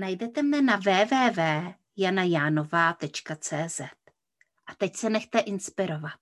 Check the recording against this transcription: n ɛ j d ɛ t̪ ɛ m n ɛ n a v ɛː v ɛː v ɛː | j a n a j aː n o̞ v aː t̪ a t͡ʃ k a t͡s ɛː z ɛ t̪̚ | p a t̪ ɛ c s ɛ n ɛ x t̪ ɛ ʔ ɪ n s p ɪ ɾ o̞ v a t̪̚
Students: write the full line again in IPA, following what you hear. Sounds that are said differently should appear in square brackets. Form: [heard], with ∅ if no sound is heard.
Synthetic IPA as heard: n [a] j d ɛ t̪ ɛ m n ɛ n a v ɛː v ɛː v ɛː | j a n a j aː n o̞ v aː t̪ [ɛ] t͡ʃ k a t͡s ɛː z ɛ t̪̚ | [ʔ] a t̪ ɛ c s ɛ n ɛ x t̪ ɛ ʔ ɪ n s p ɪ ɾ o̞ v a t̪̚